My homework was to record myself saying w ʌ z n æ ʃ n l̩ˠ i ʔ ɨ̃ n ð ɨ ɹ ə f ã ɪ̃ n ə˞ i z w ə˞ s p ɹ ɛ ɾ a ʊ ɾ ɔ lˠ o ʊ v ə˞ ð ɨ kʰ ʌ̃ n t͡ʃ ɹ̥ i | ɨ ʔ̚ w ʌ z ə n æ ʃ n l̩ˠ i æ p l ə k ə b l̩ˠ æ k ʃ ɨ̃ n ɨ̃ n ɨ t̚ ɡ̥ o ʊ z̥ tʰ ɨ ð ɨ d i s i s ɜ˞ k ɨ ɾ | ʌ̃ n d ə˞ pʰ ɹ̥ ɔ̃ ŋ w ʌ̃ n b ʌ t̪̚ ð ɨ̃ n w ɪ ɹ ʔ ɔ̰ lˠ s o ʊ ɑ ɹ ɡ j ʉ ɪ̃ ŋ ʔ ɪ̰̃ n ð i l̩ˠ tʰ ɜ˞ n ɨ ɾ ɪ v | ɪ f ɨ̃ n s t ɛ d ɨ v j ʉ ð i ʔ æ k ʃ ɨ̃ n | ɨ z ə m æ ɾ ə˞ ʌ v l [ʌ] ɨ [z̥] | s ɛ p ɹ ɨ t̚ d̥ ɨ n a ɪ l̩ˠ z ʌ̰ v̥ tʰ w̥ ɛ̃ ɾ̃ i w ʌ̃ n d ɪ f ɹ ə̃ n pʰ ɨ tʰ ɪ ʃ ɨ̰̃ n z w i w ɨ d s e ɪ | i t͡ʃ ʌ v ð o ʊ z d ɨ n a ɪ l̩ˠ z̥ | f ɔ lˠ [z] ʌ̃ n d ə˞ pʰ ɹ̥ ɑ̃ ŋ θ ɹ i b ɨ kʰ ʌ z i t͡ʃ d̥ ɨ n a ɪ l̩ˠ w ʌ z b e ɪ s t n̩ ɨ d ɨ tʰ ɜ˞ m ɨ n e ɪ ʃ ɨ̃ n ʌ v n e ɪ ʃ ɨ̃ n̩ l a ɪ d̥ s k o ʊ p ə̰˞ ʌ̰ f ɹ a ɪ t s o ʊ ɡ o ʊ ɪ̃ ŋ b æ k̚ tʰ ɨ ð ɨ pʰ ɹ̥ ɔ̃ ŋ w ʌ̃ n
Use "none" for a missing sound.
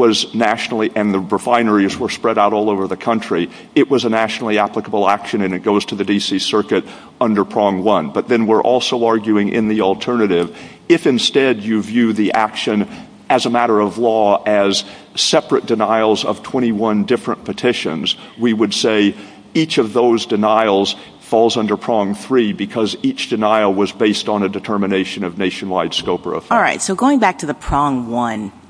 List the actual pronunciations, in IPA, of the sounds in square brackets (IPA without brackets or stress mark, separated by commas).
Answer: ɔ, z̥, z